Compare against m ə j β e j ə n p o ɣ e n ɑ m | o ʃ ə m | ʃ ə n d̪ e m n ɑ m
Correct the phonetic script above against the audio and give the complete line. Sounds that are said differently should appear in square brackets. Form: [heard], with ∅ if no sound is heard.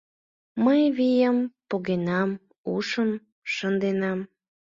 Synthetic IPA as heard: m ə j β [i] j ə [m] p o ɣ e n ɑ m | [u] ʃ ə m | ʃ ə n d̪ e [∅] n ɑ m